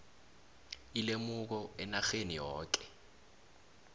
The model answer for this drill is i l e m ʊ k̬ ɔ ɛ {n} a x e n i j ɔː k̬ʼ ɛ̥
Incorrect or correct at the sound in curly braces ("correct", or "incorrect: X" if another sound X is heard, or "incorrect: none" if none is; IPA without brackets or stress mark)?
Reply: correct